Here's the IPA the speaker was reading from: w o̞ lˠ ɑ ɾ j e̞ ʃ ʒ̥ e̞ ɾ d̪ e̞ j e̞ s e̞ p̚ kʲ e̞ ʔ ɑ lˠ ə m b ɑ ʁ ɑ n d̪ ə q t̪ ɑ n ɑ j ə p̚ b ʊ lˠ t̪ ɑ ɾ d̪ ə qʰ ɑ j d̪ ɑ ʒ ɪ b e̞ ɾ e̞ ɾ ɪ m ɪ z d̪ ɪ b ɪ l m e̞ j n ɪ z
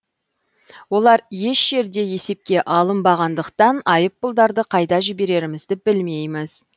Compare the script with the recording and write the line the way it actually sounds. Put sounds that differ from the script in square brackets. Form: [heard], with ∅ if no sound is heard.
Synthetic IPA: w o̞ lˠ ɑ ɾ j e̞ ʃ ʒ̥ e̞ ɾ d̪ e̞ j e̞ s e̞ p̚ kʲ e̞ ʔ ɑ lˠ ə m b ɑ ʁ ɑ n d̪ ə q t̪ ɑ n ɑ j ə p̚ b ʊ lˠ [d̪] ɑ ɾ d̪ ə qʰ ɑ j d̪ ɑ ʒ ɪ b e̞ ɾ e̞ ɾ ɪ m ɪ z d̪ ɪ b ɪ l m e̞ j [m] ɪ z